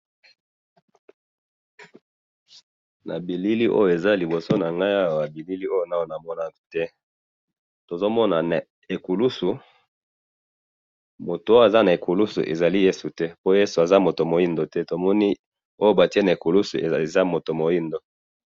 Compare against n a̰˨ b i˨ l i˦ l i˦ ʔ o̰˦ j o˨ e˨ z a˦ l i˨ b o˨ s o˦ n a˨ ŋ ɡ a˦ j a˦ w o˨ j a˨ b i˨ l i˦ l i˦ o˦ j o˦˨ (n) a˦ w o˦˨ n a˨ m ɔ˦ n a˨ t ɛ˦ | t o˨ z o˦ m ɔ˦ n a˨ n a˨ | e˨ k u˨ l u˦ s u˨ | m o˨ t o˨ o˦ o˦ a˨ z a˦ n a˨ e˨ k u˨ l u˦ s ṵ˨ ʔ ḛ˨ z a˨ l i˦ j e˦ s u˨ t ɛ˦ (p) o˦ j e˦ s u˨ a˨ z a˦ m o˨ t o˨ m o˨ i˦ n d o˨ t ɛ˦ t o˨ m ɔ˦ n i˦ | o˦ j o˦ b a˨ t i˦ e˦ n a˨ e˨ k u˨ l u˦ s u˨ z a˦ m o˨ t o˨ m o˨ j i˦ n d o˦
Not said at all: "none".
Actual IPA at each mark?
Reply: n, p

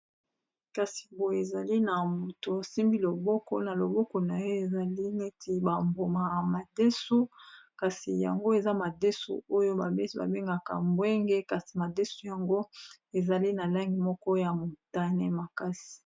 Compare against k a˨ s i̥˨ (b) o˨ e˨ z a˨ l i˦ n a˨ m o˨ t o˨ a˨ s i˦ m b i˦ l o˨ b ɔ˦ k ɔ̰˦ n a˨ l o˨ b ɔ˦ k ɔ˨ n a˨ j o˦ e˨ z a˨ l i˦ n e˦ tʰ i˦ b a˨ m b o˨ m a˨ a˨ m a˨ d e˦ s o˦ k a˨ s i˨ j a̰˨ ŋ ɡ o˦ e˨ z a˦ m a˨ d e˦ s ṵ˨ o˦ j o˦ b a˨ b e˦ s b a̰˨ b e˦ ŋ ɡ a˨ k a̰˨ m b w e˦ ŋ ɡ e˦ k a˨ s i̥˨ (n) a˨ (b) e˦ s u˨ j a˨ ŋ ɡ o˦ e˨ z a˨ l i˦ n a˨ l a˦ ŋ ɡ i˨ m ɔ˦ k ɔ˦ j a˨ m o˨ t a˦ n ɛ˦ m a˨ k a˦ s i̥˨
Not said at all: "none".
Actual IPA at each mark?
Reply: b, m, d

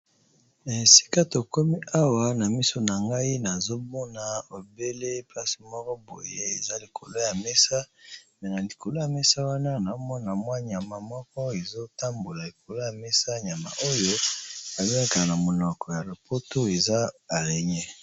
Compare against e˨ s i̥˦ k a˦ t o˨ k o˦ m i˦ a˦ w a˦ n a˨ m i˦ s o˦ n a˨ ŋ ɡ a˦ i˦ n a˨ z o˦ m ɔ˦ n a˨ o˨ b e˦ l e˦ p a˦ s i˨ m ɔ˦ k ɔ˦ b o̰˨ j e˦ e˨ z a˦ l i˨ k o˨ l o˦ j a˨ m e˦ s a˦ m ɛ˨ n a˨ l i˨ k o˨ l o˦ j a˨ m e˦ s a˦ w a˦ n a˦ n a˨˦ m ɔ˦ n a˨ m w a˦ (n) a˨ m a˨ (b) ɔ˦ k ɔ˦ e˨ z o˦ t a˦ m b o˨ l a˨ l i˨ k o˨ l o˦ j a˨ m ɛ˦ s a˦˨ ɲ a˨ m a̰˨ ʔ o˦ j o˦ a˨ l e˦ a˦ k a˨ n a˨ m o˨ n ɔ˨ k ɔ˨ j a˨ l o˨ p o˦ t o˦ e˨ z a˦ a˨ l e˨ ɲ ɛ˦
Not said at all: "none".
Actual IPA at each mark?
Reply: ɲ, m

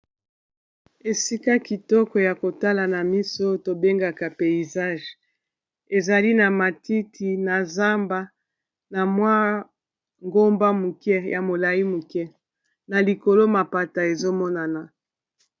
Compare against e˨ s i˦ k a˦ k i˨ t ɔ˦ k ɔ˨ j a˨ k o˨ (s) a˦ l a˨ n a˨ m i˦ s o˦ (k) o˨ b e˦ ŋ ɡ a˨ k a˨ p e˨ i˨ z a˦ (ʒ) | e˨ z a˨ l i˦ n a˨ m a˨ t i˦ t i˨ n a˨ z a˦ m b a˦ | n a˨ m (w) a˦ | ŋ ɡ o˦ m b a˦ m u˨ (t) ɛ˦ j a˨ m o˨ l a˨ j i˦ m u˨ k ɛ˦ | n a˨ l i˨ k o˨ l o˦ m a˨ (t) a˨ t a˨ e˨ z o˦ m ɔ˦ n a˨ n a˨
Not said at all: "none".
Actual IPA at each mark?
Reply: t, t, ʒ, w, k, p

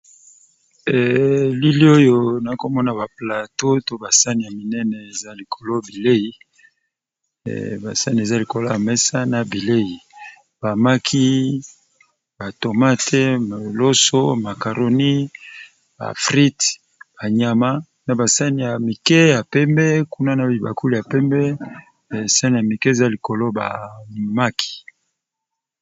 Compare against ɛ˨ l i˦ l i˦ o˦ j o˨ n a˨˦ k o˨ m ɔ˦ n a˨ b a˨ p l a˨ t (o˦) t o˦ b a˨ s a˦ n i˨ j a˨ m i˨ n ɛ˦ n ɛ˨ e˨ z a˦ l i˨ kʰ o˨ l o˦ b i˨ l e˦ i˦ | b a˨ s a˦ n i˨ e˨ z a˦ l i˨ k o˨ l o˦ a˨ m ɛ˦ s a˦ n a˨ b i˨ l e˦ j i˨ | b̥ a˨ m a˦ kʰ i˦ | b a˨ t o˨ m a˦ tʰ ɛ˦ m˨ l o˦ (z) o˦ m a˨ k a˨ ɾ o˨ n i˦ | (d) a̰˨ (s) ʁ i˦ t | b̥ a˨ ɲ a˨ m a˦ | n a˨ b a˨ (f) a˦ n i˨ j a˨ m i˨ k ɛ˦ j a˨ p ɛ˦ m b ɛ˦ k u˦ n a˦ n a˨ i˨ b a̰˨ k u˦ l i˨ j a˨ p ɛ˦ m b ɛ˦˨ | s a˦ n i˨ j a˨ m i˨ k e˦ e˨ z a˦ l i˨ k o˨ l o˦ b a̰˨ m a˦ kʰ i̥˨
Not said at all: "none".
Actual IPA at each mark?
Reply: o˦, s, b, f, s

